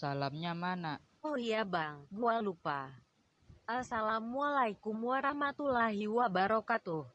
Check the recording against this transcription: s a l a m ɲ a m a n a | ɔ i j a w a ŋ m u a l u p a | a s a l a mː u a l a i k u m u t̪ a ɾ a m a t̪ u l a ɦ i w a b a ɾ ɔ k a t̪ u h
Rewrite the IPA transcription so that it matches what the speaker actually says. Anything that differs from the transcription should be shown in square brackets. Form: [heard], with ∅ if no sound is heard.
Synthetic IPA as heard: s a l a m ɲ a m a n a | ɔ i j a [b] a ŋ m u a l u p a | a s a l a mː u a l a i k u m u [∅] a ɾ a m a t̪ u l a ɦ i w a b a ɾ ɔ k a t̪ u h

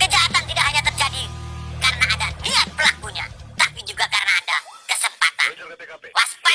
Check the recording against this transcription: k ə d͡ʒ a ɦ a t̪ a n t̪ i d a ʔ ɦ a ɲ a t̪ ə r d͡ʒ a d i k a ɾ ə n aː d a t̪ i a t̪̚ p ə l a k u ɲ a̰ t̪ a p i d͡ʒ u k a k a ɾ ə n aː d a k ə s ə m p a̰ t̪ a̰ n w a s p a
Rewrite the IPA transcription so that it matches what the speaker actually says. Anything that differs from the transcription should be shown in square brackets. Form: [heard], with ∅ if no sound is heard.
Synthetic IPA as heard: k ə d͡ʒ a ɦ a t̪ a n t̪ i d a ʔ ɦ a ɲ a t̪ ə r d͡ʒ a d i k a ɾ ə n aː d a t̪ i a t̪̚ p ə l a k u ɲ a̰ t̪ a p i d͡ʒ u [ɡ] a k a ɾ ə n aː d a k ə s ə m p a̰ t̪ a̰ n w a s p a

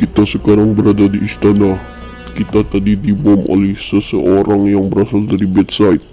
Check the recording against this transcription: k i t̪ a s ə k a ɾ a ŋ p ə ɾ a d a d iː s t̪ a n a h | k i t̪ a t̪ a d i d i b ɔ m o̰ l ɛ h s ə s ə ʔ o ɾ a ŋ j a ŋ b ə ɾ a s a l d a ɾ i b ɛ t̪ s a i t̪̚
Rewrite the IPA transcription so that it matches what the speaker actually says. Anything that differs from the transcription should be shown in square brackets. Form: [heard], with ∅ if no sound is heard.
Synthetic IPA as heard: k i t̪ a s ə k a ɾ a ŋ [b] ə ɾ a d a d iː s t̪ a n a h | k i t̪ a t̪ a d i d i b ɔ m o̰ l ɛ h s ə s ə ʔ o ɾ a ŋ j a ŋ b ə ɾ a s a l d a ɾ i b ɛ t̪ s a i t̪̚

